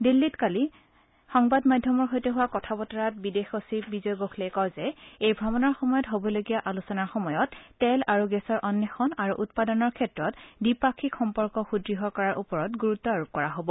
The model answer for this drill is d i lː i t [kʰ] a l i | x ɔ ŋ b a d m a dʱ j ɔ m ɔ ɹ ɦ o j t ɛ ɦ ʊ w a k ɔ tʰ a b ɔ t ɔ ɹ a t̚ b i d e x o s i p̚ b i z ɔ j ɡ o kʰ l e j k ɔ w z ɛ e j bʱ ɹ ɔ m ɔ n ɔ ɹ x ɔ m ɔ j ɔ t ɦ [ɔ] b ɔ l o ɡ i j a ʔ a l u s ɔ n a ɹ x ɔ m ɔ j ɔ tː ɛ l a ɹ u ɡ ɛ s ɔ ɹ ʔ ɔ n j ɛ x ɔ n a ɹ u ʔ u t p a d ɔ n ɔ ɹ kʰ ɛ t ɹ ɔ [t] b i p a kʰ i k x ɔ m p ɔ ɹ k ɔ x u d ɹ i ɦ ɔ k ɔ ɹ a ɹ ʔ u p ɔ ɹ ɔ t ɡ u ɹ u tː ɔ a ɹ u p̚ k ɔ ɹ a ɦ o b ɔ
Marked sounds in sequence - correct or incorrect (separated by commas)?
incorrect, incorrect, correct